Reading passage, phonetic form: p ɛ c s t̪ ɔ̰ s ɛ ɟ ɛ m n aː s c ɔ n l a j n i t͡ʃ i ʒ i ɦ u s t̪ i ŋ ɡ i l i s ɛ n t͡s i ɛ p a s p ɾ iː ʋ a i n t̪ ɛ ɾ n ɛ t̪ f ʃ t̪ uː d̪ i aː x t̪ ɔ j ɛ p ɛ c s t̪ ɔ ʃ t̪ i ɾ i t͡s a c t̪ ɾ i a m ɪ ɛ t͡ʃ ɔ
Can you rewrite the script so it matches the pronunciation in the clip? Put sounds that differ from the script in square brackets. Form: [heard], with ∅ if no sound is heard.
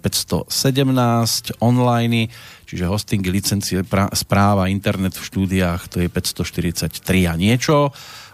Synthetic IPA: p ɛ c s t̪ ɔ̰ s ɛ ɟ ɛ m n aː s c ɔ n l a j n i t͡ʃ i ʒ [ɛ] ɦ [ɔ] s t̪ i ŋ ɡ i l i [t͡s] ɛ n t͡s i ɛ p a s p ɾ [aː] ʋ a i n t̪ ɛ ɾ n ɛ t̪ f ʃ t̪ uː d̪ i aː x t̪ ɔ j ɛ p ɛ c s t̪ ɔ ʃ t̪ i ɾ i t͡s a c t̪ ɾ i a [ɲ] ɪ ɛ t͡ʃ ɔ